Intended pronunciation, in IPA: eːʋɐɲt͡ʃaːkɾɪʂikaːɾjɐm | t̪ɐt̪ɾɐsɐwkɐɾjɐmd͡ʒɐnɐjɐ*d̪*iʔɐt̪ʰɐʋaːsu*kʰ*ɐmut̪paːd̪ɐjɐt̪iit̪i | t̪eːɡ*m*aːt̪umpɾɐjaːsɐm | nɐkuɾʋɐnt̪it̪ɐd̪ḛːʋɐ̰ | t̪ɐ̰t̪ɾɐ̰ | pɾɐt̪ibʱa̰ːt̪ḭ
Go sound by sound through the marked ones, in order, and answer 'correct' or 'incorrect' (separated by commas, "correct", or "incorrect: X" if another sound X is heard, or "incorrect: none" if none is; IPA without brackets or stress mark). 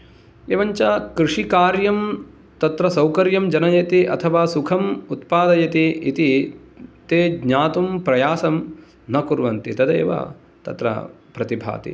incorrect: t̪, correct, incorrect: ɲ